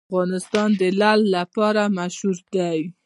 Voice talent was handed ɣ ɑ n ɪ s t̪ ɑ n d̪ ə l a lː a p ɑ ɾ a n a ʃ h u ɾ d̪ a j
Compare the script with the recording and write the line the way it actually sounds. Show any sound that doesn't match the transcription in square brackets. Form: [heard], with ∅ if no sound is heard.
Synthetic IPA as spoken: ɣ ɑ n ɪ s t̪ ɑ n d̪ ə l a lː a p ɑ ɾ a [m] a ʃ h u ɾ d̪ a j

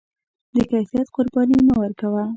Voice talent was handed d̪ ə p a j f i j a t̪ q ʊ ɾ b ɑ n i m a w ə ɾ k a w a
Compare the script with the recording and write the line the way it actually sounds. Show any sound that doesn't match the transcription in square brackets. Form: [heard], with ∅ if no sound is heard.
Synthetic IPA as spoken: d̪ ə [k] a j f i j a t̪ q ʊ ɾ b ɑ n i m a w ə ɾ k a w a

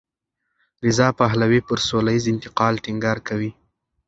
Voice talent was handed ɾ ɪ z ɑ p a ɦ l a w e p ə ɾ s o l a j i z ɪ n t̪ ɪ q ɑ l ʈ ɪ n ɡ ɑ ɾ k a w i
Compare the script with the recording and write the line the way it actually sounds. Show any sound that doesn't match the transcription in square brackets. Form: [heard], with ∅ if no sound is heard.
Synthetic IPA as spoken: ɾ ɪ z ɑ p a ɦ l a w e p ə ɾ s o l a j i z ɪ n t̪ ɪ q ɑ l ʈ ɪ [ŋ] ɡ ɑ ɾ k a w i

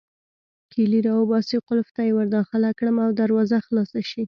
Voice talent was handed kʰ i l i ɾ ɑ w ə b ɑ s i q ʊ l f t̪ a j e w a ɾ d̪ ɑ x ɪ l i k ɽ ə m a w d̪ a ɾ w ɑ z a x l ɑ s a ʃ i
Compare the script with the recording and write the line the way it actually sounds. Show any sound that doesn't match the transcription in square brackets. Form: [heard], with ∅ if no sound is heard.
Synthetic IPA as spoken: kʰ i l i ɾ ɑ w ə b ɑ s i q ʊ l f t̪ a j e w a ɾ d̪ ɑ x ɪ l [a] k ɽ ə m a w d̪ a ɾ w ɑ z a x l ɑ s a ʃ i

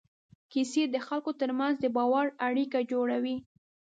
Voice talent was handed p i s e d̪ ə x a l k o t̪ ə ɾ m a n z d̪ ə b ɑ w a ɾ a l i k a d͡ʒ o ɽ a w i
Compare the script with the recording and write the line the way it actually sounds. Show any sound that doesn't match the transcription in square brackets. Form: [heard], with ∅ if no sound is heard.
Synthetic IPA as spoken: [k] i s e d̪ ə x a l k o t̪ ə ɾ m a n z d̪ ə b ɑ w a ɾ a [ɽ] i k a d͡ʒ o ɽ a w i

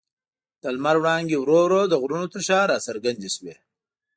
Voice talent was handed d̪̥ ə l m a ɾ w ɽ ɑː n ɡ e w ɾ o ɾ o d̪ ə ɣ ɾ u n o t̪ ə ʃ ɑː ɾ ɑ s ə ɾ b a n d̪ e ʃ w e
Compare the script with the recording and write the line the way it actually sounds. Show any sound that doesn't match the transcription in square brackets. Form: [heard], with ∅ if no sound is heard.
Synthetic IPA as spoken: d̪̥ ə l m a ɾ w ɽ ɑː [ŋ] ɡ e w ɾ o ɾ o d̪ ə ɣ ɾ u n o t̪ ə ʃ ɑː ɾ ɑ s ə ɾ [ɡ] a n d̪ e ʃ w e

